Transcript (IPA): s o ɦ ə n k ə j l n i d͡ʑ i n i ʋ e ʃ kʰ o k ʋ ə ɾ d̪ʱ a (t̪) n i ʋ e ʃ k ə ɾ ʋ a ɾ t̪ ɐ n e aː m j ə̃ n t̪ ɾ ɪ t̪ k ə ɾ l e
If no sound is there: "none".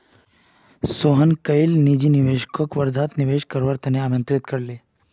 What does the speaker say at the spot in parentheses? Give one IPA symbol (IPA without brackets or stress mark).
t̪